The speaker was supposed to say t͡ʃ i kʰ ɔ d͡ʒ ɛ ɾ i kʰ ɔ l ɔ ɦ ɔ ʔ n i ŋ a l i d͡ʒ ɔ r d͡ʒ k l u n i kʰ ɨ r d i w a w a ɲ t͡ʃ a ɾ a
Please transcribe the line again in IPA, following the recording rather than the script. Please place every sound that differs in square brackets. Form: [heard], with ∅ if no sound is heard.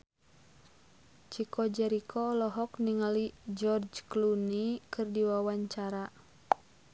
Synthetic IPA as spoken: t͡ʃ i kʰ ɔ d͡ʒ ɛ ɾ i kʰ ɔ l ɔ ɦ ɔ [k] n i ŋ a l i d͡ʒ ɔ r d͡ʒ k l u n i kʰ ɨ r d i w a w a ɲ t͡ʃ a ɾ a

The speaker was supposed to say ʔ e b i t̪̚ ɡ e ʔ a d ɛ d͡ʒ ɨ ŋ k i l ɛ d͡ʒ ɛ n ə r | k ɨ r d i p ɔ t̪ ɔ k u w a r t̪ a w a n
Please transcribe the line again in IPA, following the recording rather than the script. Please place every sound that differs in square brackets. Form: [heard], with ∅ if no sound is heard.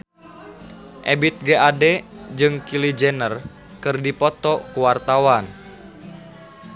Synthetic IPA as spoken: ʔ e b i t̪̚ ɡ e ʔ a d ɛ d͡ʒ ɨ ŋ k i l [i] d͡ʒ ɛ n ə r | k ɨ r d i p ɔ t̪ ɔ k u w a r t̪ a w a n

